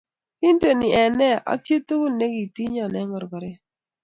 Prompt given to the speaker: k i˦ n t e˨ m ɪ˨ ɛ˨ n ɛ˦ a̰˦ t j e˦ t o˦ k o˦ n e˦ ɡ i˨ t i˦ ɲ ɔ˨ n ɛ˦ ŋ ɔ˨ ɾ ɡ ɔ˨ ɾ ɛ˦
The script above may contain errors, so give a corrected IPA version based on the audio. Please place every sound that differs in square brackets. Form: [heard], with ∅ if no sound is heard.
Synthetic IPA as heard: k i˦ n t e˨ [n] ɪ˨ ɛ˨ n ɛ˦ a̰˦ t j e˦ t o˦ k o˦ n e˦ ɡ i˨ t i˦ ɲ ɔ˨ n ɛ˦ ŋ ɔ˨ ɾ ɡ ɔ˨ ɾ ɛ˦